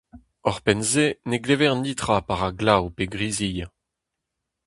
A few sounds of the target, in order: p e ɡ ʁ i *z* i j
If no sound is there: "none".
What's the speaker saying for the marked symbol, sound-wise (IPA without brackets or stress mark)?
z